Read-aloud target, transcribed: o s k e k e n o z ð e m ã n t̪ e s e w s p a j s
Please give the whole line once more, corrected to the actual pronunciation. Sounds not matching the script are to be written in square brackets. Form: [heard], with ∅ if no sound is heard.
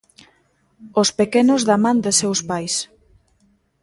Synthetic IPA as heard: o s [p] e k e n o z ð [a] m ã n [d̪] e s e w s p a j s

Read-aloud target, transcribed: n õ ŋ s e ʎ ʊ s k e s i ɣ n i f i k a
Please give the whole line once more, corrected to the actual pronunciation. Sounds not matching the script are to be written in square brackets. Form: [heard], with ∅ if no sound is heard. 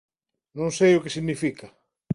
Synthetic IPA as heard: n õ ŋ s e [j] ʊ [∅] k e s i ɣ n i f i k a

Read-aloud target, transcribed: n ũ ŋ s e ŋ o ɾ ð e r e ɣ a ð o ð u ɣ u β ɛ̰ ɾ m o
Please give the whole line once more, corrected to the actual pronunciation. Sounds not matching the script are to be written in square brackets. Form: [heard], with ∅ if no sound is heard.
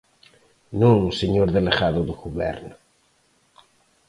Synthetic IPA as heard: n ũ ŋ s e [ɲ] o ɾ ð e [l] e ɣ a ð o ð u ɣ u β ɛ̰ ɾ [n] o

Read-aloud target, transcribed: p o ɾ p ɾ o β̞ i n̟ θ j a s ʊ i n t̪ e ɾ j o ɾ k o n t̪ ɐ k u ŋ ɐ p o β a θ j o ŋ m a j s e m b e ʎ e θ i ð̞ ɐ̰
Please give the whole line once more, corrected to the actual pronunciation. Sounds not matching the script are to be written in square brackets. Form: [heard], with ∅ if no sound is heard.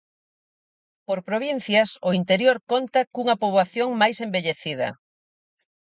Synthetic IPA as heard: p o ɾ p ɾ o β̞ i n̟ θ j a s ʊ i n t̪ e ɾ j o ɾ k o n t̪ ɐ k u ŋ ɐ p o β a θ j o ŋ m a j s e m b e ʎ e θ i ð̞ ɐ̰

